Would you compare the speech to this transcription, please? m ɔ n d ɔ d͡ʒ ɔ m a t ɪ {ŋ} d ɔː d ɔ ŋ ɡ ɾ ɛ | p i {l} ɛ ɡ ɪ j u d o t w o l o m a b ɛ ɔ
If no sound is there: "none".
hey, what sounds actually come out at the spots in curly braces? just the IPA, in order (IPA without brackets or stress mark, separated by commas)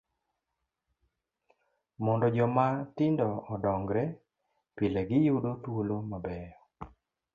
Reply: n, l